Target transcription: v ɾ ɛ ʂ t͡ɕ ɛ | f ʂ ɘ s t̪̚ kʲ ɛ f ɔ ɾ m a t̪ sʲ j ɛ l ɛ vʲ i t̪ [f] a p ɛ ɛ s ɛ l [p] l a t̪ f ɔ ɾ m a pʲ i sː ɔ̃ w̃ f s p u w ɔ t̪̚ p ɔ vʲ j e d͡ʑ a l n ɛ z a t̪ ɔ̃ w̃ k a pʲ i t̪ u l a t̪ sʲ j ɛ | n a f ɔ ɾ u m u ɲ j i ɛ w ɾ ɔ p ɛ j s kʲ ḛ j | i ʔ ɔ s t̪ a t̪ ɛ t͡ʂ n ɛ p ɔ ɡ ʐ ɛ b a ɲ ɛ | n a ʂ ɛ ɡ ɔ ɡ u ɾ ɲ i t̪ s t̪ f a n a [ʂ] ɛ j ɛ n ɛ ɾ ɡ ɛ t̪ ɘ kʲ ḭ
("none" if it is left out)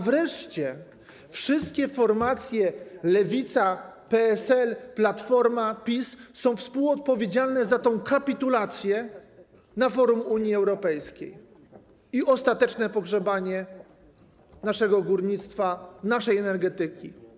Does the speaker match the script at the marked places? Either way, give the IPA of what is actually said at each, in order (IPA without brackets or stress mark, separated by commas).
s, p, ʂ